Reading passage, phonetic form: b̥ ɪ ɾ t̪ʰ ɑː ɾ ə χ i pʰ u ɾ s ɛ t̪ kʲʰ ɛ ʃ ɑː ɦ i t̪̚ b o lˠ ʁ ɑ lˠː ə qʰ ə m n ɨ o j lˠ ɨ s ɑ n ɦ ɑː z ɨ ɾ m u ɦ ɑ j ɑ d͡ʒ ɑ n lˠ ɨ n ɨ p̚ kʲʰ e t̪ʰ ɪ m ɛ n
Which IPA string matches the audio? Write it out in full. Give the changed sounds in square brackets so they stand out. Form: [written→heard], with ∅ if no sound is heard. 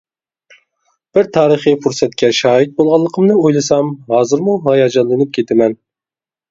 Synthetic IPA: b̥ ɪ ɾ t̪ʰ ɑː ɾ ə χ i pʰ u ɾ s ɛ t̪ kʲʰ ɛ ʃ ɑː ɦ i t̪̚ b o lˠ ʁ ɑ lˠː ə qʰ ə m n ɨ o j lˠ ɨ s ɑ [n→m] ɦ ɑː z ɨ ɾ m u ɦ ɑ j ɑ d͡ʒ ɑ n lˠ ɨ n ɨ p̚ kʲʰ e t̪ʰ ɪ m ɛ n